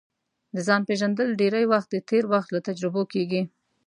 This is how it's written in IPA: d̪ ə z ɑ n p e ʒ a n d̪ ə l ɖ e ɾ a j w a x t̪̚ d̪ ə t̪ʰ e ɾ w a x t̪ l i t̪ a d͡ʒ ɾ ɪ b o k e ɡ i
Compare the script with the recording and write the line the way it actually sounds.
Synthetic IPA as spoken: d̪ ə z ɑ n p e ʒ a n d̪ ə l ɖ e ɾ a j w a x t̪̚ d̪ ə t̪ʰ e ɾ w a x t̪ l a t̪ a d͡ʒ ɾ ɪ b o k e ɡ i